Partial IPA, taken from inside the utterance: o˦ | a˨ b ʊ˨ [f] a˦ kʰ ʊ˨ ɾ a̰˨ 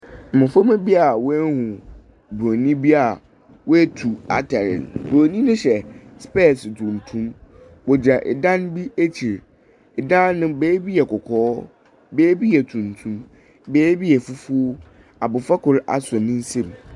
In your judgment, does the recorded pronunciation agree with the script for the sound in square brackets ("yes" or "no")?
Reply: yes